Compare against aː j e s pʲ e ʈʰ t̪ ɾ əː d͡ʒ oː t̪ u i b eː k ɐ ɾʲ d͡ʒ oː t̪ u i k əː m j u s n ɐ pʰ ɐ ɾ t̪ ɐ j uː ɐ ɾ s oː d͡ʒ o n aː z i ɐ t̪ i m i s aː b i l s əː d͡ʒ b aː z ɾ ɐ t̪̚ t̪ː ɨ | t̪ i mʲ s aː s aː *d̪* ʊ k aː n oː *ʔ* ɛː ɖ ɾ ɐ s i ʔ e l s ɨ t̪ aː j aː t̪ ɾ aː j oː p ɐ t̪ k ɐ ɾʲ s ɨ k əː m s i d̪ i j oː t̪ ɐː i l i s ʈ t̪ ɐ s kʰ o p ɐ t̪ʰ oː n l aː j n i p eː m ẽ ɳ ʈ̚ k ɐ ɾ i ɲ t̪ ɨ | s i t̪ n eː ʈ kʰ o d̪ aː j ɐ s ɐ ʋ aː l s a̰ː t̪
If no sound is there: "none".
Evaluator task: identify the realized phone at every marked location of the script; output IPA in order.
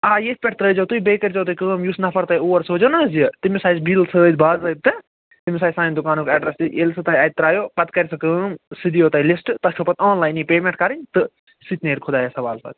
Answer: d̪, k

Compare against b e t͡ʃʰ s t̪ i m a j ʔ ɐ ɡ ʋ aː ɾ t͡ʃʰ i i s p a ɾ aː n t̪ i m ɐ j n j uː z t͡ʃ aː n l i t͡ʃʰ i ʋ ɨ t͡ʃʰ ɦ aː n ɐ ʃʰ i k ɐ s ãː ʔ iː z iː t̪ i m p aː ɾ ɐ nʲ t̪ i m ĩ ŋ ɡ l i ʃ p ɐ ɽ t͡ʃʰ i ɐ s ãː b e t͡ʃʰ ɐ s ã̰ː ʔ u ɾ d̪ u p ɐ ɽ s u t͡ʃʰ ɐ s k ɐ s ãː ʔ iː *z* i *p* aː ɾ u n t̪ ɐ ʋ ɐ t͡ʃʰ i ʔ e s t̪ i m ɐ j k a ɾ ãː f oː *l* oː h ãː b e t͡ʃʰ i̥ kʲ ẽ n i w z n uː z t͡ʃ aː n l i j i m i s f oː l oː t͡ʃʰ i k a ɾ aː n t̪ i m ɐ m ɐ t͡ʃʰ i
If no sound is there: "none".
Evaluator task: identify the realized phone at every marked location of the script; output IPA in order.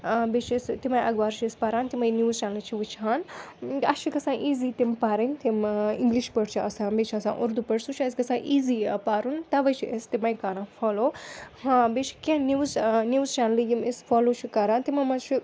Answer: z, p, l

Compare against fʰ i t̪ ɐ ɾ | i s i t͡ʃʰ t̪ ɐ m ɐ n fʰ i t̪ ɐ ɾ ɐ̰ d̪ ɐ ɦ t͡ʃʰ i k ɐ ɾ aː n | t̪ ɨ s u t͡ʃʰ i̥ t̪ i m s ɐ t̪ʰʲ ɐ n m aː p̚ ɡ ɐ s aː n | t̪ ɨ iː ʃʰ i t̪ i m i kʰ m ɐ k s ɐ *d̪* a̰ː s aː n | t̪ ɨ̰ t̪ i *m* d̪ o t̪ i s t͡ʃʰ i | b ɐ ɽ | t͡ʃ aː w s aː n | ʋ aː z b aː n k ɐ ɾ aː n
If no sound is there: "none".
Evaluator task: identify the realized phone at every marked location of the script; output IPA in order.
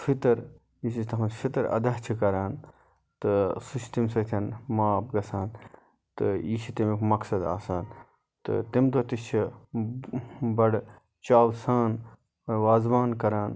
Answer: d̪, m

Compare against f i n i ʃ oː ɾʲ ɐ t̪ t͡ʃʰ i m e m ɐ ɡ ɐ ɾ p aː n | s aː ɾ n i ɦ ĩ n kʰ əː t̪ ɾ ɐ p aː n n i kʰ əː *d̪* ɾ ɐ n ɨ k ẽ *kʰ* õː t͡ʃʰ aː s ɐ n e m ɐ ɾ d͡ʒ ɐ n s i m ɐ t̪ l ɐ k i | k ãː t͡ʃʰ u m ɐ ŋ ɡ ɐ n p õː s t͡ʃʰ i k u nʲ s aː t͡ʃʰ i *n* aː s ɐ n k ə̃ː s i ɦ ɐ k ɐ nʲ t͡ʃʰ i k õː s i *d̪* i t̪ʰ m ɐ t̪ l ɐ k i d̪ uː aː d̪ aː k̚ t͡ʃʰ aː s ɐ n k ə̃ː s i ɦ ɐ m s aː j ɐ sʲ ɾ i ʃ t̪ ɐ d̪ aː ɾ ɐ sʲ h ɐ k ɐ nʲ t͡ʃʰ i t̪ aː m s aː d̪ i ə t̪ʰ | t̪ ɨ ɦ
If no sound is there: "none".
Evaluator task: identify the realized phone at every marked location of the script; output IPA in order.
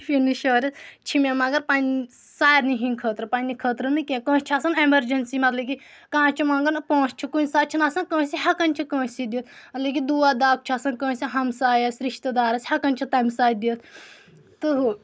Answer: t̪, k, n, d̪

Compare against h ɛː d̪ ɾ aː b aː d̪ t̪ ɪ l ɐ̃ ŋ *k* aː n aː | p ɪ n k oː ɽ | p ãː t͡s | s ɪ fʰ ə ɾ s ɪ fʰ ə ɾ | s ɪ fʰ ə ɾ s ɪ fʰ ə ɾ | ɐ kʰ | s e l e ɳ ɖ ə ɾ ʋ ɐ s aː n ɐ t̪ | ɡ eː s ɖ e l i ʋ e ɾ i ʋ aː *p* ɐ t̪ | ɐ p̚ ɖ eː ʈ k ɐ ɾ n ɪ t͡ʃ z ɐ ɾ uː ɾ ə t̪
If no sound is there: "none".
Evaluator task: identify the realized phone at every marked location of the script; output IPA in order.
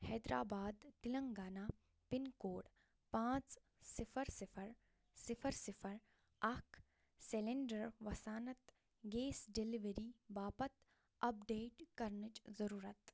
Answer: ɡ, p

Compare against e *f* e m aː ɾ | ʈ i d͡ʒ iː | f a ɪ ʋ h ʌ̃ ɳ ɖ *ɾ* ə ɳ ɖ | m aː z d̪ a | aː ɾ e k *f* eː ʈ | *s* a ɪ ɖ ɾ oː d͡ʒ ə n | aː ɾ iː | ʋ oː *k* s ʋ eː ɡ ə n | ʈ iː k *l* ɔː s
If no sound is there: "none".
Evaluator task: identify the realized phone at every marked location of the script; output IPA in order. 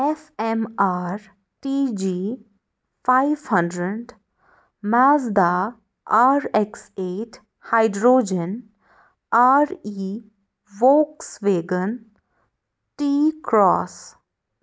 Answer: f, ɾ, s, h, k, ɾ

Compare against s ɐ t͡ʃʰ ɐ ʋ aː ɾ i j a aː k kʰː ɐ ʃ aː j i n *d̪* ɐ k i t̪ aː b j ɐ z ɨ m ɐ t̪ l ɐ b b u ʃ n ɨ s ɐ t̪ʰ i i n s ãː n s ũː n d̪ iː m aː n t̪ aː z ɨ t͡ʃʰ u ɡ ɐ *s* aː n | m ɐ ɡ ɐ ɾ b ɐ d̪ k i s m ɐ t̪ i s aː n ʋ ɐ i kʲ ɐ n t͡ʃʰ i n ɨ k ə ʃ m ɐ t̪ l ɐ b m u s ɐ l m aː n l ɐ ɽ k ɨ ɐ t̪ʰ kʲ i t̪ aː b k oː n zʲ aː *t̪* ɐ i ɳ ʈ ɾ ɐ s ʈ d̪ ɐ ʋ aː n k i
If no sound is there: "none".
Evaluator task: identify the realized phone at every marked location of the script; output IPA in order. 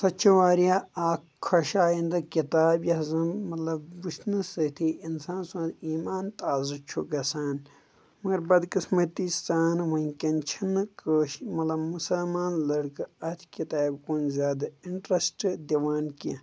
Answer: d̪, s, d̪

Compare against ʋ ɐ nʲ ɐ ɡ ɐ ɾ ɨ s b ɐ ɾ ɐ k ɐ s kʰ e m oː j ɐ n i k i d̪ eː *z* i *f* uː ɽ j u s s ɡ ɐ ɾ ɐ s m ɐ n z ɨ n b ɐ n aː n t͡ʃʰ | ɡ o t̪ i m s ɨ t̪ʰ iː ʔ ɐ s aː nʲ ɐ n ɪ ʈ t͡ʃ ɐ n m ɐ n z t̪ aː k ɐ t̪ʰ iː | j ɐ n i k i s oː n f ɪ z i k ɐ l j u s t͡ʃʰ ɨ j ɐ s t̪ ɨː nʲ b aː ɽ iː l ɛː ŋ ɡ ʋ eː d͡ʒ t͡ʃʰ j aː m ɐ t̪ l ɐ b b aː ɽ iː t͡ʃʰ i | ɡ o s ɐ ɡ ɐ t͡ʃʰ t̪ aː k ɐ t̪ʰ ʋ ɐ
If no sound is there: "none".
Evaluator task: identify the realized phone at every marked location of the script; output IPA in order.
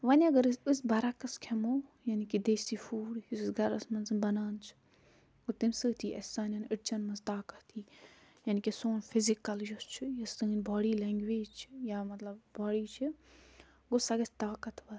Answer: s, f

